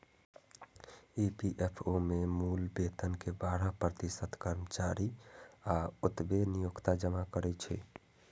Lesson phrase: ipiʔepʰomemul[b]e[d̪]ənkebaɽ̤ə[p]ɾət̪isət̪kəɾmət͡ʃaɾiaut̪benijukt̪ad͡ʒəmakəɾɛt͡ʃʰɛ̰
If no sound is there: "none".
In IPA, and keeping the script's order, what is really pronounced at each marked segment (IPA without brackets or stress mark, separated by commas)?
b, t̪, p